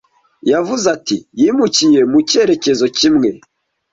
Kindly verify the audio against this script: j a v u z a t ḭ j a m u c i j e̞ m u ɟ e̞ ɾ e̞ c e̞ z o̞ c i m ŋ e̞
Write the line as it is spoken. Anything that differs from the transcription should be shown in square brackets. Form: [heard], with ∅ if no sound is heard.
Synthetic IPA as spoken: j a v u z a t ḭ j [i] m u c i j e̞ m u [c] e̞ ɾ e̞ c e̞ z o̞ c i m ŋ e̞